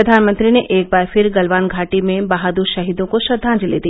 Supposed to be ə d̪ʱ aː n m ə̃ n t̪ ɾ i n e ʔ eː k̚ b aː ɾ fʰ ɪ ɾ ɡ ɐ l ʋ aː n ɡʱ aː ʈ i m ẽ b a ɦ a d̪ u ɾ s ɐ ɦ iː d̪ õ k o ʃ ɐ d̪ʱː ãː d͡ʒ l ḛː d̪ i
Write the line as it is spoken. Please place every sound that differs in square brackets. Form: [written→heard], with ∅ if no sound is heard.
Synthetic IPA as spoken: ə d̪ʱ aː n m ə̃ n t̪ ɾ i n e ʔ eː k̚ b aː ɾ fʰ ɪ ɾ ɡ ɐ l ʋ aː n ɡʱ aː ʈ i m ẽ b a ɦ a d̪ u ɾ [s→ʃ] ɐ ɦ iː d̪ õ k o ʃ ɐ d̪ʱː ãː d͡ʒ l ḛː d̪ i